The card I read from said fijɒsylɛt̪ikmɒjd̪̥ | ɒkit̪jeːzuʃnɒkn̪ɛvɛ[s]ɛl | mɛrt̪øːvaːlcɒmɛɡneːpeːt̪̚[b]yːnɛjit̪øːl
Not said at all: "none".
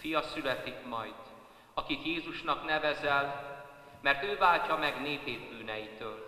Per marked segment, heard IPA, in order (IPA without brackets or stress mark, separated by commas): z, b